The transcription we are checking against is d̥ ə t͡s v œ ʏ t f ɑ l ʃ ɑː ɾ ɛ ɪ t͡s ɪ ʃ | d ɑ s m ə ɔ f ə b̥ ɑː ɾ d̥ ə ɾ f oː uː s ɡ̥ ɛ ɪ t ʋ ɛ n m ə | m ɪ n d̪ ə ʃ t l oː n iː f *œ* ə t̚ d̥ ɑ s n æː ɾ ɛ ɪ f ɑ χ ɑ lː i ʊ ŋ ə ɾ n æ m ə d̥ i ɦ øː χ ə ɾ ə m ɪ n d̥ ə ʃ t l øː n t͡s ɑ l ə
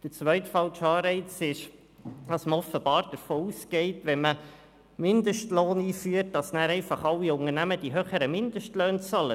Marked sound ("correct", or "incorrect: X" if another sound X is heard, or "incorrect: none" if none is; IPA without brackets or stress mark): incorrect: y